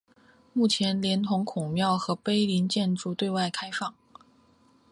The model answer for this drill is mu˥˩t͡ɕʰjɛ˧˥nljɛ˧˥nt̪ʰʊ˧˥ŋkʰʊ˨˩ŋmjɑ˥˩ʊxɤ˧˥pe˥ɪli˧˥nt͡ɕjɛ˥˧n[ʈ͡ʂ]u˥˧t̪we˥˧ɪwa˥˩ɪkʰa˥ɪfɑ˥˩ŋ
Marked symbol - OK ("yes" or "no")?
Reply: yes